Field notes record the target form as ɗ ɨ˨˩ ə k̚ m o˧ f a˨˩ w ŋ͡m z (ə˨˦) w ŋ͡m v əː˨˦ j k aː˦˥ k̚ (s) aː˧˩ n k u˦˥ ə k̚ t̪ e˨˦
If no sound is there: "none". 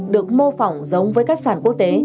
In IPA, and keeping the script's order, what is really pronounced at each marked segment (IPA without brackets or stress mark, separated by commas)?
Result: ə˨˦, s